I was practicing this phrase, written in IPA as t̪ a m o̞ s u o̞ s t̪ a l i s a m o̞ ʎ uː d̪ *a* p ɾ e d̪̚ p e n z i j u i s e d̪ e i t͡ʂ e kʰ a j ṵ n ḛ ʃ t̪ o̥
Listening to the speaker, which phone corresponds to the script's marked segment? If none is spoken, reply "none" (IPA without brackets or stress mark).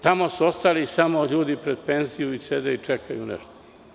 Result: i